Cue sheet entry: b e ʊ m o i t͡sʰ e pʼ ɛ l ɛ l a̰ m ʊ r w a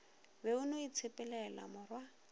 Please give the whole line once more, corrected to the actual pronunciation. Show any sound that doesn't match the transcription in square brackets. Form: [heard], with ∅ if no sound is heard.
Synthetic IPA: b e ʊ [n] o i t͡sʰ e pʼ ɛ l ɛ l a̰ m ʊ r w a

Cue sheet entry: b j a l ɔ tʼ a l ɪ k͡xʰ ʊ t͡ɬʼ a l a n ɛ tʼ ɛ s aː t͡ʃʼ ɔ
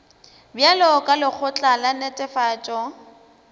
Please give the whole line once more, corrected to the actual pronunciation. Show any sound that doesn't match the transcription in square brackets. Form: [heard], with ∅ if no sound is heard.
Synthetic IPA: b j a l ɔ [kʼ] a l ɪ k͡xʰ ʊ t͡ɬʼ a l a n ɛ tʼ ɛ [f] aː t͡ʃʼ ɔ

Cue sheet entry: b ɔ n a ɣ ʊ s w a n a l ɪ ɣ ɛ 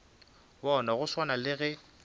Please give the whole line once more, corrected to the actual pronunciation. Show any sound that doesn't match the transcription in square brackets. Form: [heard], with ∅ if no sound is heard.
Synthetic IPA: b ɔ n a ɣ ʊ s w a n a l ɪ ɣ ɛ

